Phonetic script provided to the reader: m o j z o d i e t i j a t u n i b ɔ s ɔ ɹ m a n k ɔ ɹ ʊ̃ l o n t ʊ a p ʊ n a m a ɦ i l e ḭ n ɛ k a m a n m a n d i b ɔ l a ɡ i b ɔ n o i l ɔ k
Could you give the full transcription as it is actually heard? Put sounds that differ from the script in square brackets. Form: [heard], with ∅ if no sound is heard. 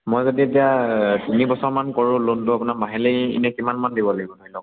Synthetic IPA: m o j z o d i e t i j a t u n i b ɔ s ɔ ɹ m a n k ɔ ɹ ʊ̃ l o n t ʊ a p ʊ n a m a ɦ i l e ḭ n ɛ k [i] m a n m a n d i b ɔ l a ɡ i b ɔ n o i l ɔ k